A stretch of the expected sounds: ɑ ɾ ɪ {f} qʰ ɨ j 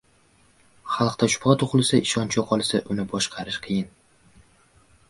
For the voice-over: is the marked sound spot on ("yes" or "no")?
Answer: no